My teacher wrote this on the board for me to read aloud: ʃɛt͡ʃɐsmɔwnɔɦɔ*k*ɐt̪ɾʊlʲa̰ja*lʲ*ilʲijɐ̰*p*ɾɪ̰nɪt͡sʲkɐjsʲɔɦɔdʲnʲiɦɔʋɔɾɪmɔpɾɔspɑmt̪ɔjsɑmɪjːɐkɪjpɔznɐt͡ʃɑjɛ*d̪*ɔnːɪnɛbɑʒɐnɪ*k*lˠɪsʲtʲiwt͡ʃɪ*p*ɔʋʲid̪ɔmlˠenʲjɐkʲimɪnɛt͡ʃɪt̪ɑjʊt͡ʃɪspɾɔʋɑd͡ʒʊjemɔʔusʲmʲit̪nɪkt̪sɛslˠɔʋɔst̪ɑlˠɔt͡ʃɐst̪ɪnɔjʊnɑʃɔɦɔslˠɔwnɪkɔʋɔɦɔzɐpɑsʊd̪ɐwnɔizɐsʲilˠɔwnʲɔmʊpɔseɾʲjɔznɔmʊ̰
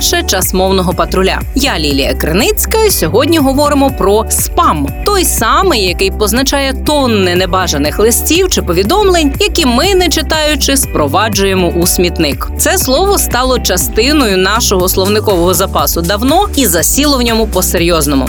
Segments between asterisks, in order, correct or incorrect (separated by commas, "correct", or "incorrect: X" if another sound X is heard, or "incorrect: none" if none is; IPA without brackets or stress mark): incorrect: p, correct, incorrect: k, incorrect: t̪, incorrect: x, correct